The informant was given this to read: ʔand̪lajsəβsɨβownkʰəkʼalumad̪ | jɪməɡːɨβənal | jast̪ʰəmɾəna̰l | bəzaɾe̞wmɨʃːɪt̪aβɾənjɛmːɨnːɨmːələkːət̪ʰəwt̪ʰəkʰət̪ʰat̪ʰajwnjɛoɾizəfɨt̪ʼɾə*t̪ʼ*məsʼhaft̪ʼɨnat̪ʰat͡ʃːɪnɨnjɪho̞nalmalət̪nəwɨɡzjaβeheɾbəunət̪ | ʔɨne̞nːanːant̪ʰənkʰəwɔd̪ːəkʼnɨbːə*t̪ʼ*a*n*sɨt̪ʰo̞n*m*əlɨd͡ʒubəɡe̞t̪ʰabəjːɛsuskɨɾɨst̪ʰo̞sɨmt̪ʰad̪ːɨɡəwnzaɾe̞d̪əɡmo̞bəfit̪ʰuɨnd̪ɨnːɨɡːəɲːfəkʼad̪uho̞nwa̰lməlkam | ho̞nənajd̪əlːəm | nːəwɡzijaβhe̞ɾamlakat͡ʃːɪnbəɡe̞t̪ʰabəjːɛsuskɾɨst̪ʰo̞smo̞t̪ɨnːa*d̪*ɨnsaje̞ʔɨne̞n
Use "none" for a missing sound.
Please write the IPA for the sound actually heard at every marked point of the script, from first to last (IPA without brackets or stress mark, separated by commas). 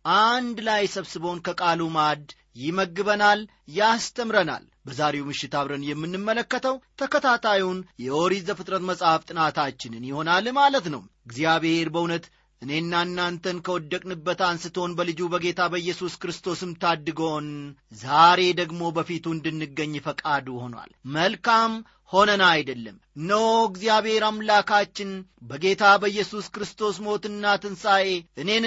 t̪, t̪, n, b, t̪